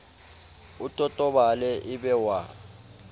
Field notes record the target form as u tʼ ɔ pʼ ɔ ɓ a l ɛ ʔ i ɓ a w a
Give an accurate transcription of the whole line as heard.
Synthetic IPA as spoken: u tʼ ɔ tʼ ɔ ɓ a l ɛ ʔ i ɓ ɛ w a